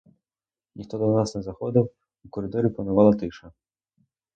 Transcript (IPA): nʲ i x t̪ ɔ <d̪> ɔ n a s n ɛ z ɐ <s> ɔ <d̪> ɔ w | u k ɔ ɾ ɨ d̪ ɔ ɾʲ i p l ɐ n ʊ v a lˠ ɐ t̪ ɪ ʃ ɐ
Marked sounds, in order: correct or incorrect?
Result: correct, incorrect, correct

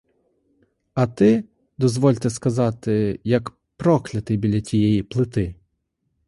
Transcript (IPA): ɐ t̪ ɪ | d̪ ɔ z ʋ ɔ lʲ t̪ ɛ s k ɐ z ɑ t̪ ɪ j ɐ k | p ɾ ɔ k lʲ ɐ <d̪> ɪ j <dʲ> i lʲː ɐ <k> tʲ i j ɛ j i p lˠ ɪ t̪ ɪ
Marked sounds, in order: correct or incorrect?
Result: incorrect, incorrect, incorrect

